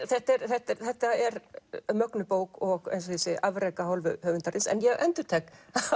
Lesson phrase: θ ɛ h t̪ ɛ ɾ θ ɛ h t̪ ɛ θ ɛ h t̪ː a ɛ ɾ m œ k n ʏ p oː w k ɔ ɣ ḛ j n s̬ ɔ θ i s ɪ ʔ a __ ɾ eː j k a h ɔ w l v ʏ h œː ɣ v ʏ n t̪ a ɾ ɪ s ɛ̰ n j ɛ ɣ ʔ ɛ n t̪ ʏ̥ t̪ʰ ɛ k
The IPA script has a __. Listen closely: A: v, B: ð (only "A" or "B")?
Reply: A